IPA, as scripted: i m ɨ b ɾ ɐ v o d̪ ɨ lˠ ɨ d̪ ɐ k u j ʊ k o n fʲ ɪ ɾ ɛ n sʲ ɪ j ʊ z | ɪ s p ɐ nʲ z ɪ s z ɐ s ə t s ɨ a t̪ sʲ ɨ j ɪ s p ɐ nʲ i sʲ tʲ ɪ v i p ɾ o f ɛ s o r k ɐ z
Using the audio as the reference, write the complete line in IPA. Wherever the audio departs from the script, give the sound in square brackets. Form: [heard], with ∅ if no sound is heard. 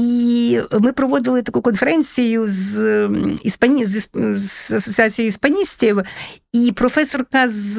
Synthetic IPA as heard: i m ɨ [p] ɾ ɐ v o d̪ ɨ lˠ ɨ [t̪] ɐ k u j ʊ k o n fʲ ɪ ɾ ɛ n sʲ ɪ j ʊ z | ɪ s p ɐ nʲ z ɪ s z ɐ s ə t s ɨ a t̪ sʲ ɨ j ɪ s p ɐ nʲ i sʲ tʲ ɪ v i p ɾ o f ɛ s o r k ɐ z